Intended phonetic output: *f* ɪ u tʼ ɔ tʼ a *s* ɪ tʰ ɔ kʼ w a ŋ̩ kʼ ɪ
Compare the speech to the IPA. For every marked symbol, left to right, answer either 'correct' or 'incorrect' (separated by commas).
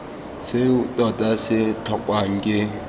incorrect, correct